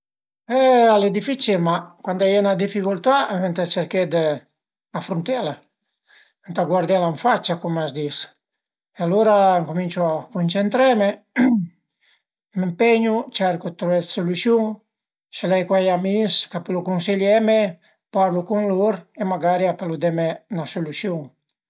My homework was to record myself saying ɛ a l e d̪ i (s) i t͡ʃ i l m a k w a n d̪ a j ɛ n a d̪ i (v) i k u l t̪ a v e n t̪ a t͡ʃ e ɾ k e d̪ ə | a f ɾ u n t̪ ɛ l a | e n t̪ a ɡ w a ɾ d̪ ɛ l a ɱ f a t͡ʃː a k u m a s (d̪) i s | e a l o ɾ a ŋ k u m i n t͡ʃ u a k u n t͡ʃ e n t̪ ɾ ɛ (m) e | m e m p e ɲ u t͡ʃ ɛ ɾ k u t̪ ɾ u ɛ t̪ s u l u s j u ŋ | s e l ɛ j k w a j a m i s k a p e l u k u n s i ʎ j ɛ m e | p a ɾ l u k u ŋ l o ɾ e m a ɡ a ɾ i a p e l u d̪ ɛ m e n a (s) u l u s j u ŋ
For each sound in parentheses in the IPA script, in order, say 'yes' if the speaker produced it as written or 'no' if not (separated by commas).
no, no, yes, yes, yes